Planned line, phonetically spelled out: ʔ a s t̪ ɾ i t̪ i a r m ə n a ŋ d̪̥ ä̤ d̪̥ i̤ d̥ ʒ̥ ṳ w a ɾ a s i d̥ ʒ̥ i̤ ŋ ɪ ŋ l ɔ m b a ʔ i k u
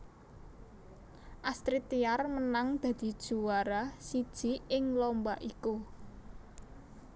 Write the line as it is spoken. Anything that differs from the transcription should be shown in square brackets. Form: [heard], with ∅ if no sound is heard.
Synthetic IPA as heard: ʔ a s t̪ ɾ i t̪ i a r m ə n a ŋ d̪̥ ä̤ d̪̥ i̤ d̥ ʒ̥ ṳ w a ɾ a s i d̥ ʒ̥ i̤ [∅] ɪ ŋ l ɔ m b a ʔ i k u